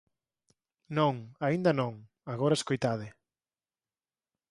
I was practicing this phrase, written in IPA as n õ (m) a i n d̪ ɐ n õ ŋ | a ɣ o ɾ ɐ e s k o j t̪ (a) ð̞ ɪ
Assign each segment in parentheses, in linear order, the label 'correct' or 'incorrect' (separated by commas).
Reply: incorrect, correct